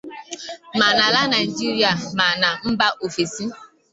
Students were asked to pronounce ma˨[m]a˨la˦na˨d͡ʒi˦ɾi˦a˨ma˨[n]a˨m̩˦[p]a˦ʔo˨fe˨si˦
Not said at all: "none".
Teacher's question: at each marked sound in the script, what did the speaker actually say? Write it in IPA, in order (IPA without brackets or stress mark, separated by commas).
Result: n, n, b